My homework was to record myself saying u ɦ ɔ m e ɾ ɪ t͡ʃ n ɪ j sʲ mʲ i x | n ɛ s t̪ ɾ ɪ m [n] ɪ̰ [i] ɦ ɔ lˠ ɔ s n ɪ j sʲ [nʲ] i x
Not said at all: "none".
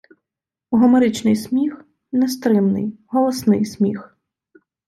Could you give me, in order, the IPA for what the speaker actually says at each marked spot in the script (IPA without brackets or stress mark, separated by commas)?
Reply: n, j, mʲ